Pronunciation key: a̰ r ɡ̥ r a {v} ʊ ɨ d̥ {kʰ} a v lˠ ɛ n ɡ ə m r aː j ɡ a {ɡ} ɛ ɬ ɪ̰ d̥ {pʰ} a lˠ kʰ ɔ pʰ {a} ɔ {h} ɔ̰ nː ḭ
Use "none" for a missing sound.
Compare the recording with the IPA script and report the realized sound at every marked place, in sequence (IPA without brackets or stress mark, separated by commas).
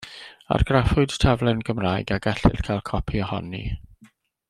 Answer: f, tʰ, ɡ, kʰ, i, h